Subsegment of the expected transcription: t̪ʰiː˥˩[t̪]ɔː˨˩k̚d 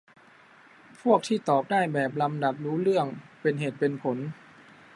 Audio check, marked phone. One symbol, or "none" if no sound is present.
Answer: t̪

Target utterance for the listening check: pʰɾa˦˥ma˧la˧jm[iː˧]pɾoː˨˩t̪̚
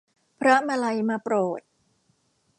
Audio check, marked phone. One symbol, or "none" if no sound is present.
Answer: aː˧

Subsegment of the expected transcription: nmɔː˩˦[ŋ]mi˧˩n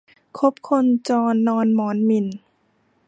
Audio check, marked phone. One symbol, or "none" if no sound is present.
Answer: n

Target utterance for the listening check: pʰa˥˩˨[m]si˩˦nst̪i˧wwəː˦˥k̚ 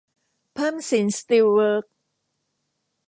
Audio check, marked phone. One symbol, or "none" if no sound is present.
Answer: m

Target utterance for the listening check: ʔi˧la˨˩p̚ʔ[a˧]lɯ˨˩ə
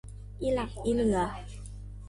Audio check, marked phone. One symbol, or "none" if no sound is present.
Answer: i˧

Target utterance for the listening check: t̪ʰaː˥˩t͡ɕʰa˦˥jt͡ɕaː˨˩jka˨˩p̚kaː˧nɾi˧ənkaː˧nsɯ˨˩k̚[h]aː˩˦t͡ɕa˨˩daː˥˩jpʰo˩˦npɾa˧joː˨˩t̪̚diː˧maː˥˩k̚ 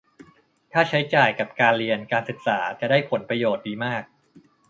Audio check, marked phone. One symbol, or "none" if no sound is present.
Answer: s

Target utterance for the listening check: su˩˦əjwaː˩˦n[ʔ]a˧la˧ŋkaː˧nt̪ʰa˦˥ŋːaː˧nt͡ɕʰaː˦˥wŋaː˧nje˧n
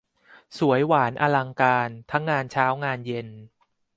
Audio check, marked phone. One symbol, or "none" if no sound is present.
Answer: ʔ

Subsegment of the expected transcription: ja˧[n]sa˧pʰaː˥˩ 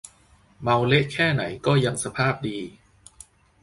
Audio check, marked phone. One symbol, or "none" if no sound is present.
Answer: ŋ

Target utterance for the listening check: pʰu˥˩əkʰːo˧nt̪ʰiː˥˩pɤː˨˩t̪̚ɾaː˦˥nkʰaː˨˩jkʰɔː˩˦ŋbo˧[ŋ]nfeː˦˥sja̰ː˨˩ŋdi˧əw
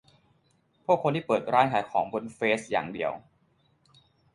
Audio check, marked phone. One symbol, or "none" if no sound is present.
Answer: none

